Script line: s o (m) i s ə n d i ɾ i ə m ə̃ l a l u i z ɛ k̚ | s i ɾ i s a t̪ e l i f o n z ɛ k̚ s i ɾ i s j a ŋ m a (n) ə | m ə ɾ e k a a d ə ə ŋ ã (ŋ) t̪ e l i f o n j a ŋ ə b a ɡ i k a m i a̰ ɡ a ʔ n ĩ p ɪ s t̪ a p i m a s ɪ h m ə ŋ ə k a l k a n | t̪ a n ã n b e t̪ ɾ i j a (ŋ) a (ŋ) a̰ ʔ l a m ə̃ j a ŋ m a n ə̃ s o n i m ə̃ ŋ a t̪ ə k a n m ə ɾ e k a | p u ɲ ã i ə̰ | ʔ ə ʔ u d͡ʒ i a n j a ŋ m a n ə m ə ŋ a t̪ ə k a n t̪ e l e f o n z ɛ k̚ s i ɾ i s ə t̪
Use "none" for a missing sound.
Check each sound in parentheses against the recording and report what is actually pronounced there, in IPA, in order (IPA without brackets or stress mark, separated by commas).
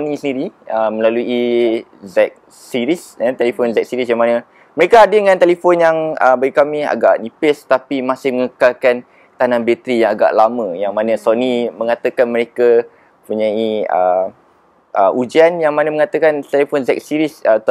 n, n, n, ŋ, ɡ